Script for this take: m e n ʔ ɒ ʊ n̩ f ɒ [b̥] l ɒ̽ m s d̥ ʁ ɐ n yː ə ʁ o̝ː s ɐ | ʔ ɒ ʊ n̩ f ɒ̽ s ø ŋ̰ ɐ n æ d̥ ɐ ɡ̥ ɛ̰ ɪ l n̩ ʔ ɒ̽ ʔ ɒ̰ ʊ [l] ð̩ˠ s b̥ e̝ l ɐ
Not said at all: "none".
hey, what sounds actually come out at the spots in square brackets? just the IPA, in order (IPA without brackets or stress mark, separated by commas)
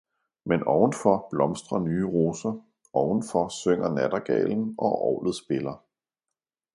b̥, l